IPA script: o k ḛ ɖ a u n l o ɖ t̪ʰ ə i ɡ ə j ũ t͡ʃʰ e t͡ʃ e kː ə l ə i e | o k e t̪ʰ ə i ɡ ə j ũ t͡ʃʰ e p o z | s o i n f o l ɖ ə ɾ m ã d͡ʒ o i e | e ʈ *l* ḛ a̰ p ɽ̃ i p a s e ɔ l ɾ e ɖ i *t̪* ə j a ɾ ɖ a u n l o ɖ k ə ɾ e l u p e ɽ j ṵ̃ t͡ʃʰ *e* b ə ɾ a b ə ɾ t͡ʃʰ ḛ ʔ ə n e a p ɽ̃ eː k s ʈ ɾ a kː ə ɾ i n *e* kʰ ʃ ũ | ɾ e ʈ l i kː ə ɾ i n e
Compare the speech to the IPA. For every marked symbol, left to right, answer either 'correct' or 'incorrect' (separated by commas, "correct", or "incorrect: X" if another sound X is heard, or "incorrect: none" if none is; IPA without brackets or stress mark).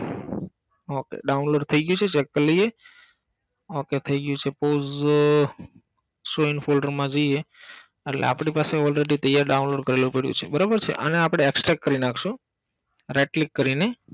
correct, correct, correct, incorrect: a